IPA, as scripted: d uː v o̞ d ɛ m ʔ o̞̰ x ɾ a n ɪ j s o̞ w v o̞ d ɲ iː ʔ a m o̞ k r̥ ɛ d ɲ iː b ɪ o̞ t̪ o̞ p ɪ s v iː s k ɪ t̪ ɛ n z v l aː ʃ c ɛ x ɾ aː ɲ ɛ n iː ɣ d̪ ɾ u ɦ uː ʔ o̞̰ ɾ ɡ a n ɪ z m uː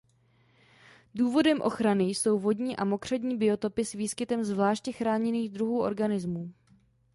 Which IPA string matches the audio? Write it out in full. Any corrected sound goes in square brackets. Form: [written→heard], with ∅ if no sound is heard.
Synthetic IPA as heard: d uː v o̞ d ɛ m ʔ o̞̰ x ɾ a n ɪ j s o̞ w v o̞ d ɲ iː ʔ a m o̞ k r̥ ɛ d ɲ iː b ɪ o̞ t̪ o̞ p ɪ s v iː s k ɪ t̪ ɛ [n→m] z v l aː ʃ c ɛ x ɾ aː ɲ ɛ n iː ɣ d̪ ɾ u ɦ uː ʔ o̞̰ ɾ ɡ a n ɪ z m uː